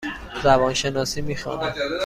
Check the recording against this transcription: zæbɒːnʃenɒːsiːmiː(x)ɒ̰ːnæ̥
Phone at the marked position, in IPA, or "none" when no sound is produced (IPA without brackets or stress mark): x